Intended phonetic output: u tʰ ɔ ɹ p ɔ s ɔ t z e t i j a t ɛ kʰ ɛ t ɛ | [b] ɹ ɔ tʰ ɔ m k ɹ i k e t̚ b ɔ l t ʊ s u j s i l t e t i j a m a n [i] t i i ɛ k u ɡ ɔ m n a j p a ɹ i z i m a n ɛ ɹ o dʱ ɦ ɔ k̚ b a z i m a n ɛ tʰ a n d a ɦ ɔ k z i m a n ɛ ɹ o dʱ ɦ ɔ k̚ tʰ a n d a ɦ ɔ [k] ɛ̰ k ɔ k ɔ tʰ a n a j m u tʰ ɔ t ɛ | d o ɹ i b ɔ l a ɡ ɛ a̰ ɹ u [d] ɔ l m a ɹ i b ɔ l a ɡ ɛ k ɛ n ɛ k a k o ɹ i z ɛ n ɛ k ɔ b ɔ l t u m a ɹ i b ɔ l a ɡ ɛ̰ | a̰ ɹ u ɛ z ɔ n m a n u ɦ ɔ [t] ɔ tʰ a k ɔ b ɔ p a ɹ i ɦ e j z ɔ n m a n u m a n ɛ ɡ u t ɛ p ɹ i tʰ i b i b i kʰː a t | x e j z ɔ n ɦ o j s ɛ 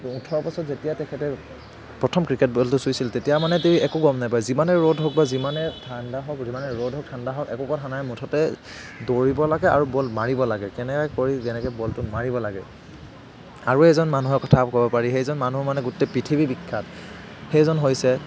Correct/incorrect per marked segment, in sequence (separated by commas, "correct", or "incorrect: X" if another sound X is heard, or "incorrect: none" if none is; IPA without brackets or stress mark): incorrect: p, incorrect: ɛ, correct, incorrect: b, incorrect: k